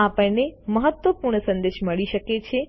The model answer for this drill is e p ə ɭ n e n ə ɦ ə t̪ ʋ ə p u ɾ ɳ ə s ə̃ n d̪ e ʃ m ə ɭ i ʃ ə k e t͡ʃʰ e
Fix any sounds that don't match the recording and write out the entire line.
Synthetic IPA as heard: a p ə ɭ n e m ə ɦ ə t̪ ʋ ə p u ɾ ɳ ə s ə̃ n d̪ e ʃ m ə ɭ i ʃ ə k e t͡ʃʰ e